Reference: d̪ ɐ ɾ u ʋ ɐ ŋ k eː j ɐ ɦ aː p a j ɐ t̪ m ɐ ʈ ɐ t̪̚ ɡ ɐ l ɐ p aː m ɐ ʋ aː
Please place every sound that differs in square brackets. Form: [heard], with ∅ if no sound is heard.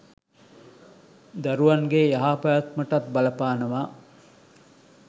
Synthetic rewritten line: d̪ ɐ ɾ u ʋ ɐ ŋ [ɡ] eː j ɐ ɦ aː p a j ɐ t̪ m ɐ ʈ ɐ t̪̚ [b] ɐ l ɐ p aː [n] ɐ ʋ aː